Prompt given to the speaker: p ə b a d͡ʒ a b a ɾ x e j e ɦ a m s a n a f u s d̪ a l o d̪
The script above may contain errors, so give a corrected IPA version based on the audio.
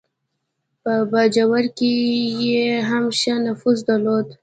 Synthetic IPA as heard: p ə b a d͡ʒ a w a ɾ k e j e ɦ a m ʃ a n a f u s d̪ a l o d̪